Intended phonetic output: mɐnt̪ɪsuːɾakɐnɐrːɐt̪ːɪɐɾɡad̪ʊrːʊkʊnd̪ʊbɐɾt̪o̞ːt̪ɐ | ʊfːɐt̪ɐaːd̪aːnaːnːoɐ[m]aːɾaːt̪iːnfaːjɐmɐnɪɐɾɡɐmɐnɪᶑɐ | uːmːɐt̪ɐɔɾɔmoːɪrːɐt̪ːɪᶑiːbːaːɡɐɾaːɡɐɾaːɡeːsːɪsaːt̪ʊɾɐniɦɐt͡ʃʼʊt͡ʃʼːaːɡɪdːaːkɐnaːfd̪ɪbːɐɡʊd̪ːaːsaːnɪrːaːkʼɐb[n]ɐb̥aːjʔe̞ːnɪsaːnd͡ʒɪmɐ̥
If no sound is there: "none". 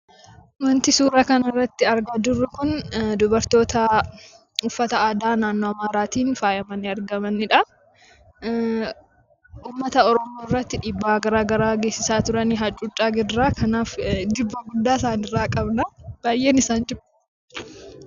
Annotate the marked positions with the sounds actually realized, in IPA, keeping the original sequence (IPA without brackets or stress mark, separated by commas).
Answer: m, n